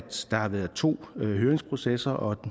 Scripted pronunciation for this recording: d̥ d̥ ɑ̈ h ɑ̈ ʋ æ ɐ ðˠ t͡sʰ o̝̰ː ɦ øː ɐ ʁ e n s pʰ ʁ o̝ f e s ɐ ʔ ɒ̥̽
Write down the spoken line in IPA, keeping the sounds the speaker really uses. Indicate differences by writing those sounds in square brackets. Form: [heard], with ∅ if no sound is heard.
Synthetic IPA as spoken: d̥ d̥ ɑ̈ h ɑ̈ ʋ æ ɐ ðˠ t͡sʰ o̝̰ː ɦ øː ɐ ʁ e [ŋ] s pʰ ʁ o̝ [s] e s ɐ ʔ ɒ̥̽